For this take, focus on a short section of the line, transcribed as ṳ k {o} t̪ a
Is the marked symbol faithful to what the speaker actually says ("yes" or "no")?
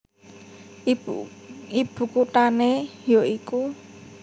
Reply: no